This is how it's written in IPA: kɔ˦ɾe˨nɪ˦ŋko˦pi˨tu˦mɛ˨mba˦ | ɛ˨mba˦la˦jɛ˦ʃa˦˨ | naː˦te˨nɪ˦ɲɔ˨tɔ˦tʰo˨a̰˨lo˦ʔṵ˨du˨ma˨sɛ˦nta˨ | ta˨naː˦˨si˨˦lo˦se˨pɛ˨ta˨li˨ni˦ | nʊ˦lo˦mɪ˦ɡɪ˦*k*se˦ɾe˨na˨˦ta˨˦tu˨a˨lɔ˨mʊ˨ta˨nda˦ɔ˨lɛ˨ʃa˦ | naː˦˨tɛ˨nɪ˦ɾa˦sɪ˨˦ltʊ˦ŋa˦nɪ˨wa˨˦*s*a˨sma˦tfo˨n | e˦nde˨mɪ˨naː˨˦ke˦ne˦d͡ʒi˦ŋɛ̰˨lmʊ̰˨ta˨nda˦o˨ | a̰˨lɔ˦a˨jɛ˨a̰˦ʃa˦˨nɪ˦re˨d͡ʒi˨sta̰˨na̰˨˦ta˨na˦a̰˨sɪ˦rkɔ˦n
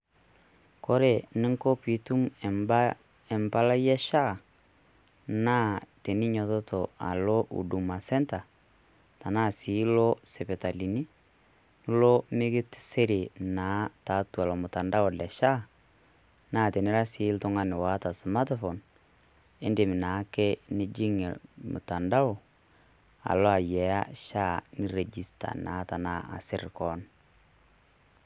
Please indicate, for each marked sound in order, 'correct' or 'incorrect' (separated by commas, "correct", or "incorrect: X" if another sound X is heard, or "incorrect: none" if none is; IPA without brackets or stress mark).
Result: incorrect: t, incorrect: t